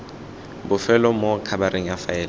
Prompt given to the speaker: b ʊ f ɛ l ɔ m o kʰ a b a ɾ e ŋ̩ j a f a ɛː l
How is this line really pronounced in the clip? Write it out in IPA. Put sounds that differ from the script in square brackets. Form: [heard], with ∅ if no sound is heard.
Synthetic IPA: b ʊ f ɛ l ɔ m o kʰ a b a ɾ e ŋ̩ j a f a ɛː l